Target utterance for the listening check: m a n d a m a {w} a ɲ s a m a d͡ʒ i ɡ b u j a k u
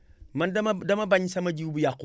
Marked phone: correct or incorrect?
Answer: incorrect